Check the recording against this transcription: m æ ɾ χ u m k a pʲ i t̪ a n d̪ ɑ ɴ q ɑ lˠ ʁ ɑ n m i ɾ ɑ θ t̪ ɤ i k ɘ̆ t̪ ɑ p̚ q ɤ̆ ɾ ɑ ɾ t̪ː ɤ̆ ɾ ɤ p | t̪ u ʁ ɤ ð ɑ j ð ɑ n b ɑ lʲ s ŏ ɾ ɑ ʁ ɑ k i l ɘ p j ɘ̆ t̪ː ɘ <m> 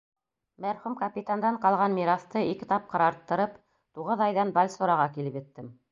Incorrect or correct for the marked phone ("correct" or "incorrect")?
correct